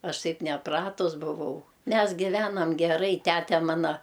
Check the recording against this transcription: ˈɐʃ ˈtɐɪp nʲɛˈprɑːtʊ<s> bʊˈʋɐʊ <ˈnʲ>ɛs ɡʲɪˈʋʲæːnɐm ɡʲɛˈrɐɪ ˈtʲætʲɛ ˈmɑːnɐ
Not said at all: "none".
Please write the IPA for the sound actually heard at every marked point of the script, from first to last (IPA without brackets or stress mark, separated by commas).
s, mʲ